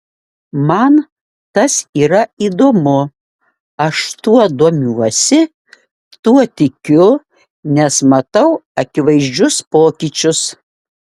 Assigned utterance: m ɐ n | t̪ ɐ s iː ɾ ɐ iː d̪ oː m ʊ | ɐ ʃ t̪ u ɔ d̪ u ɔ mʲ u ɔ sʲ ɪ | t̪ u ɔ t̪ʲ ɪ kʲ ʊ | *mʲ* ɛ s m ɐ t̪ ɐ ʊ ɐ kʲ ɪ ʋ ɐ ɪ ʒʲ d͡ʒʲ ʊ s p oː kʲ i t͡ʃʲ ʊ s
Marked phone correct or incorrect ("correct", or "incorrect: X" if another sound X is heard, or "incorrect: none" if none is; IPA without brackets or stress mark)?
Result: incorrect: nʲ